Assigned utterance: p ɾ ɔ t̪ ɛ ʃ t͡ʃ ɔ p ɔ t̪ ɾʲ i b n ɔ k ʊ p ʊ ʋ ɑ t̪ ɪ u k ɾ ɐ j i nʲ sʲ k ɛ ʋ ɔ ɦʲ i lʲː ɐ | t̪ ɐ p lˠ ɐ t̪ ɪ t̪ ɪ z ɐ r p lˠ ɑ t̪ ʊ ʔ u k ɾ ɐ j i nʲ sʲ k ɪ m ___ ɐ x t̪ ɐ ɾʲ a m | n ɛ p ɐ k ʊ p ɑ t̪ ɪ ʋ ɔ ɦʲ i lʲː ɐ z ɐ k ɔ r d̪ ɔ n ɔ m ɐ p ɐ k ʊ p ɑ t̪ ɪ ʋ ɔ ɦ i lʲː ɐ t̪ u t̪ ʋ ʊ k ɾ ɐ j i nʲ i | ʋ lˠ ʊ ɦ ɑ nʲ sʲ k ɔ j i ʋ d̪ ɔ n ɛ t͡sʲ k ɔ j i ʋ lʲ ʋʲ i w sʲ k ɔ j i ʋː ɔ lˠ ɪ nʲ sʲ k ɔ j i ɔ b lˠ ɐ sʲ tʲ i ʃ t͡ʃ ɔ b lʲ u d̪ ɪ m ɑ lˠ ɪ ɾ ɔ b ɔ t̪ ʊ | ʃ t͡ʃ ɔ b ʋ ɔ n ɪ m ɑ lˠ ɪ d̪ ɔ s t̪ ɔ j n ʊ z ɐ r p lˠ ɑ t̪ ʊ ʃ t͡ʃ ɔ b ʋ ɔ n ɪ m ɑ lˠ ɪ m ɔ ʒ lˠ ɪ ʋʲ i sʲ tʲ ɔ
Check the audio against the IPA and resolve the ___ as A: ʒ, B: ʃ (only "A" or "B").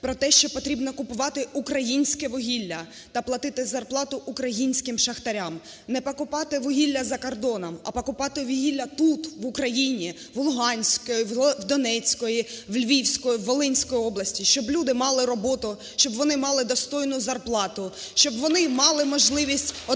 B